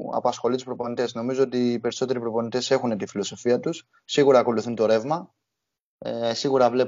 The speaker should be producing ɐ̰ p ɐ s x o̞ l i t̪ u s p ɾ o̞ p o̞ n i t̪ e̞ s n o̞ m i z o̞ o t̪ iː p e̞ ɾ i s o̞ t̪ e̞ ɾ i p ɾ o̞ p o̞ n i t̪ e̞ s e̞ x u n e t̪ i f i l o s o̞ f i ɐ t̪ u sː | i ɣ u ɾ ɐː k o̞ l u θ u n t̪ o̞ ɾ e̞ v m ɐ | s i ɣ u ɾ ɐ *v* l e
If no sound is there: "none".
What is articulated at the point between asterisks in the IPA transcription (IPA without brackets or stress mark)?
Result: v